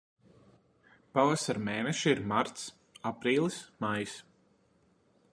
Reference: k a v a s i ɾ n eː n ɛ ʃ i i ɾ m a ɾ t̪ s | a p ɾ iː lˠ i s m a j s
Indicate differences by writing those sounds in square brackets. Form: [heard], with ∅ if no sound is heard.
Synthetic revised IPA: [p] a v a s [a] ɾ [m] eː n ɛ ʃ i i ɾ m a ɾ t̪ s | a p ɾ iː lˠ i s m a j s

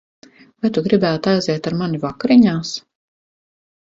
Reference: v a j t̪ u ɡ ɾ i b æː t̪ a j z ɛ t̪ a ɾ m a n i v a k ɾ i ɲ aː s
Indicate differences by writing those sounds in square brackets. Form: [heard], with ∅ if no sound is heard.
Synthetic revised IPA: v a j t̪ u ɡ ɾ i b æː t̪ a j z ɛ t̪ a ɾ m a n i v a k ɾ i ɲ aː s

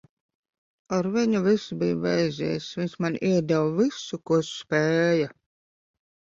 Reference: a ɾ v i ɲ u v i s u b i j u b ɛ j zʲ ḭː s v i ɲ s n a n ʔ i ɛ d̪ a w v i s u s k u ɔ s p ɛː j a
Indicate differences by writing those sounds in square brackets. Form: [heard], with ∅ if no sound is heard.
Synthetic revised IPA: a ɾ v i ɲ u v i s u b i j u [v] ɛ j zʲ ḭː s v i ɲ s [m] a n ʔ i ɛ d̪ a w v i s u [∅] k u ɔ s p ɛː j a

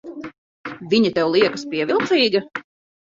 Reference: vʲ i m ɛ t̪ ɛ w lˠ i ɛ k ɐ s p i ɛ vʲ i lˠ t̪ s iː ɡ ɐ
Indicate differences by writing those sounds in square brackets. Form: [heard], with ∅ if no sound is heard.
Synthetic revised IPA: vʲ i [ɲ] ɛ t̪ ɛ w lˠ i ɛ k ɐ s p i ɛ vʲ i lˠ t̪ s iː ɡ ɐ

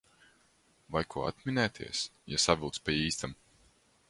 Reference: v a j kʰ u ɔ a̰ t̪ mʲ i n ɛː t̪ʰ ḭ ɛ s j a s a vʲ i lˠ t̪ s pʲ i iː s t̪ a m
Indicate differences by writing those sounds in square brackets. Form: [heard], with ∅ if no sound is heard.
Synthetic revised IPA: v a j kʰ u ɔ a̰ t̪ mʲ i n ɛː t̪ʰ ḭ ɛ s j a s a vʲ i lˠ t̪ s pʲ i iː s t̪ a m

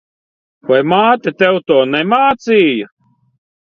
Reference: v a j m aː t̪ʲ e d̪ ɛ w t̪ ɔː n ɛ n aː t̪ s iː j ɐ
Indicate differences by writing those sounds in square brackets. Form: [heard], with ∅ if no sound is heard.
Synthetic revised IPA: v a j m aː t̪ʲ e [t̪] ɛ w t̪ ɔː n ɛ [m] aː t̪ s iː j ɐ

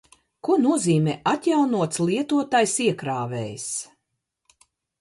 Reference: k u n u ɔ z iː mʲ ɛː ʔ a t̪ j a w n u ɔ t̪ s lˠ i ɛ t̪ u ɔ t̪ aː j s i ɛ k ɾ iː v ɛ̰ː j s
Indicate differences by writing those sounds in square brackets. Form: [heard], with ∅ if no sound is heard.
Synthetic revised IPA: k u n u ɔ z iː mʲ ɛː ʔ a t̪ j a w n u ɔ t̪ s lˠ i ɛ t̪ u ɔ t̪ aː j s i ɛ k ɾ [aː] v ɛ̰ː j s

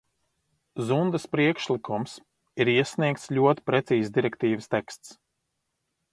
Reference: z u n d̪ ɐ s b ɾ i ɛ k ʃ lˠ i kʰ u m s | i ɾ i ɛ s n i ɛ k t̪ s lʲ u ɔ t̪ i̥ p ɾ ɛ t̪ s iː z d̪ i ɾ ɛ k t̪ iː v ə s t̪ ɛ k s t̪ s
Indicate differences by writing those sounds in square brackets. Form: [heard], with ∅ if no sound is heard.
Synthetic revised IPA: z u n d̪ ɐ s [p] ɾ i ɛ k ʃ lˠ i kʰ u m s | i ɾ i ɛ s n i ɛ k t̪ s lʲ u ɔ t̪ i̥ p ɾ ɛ t̪ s iː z d̪ i ɾ ɛ k t̪ iː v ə s t̪ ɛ k s t̪ s

